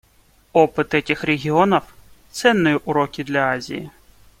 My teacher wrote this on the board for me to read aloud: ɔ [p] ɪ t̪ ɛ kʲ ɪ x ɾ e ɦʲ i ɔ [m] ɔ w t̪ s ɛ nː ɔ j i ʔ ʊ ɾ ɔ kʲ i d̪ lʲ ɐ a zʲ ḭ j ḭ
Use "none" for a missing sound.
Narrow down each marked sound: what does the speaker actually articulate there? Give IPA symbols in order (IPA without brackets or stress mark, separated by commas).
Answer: p, n